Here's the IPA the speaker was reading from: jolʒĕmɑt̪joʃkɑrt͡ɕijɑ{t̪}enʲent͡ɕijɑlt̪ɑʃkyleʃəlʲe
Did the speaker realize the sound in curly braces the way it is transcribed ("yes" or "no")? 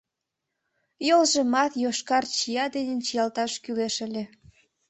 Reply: no